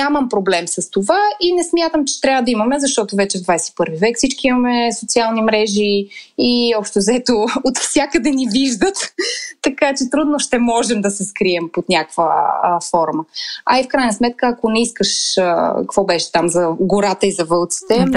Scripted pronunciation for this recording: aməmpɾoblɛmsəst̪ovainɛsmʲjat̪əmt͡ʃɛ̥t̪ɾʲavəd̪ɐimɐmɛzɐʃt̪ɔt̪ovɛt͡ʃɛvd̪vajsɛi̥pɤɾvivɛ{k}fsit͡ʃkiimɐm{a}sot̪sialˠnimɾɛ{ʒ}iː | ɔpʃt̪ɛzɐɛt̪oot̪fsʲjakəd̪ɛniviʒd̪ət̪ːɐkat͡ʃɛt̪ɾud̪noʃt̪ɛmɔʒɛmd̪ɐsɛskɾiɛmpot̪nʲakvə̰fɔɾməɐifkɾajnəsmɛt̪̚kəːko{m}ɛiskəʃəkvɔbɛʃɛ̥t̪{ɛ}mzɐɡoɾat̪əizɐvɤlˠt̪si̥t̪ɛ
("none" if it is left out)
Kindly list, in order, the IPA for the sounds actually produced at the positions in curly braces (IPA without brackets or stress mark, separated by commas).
k, ɛ, ʒ, n, a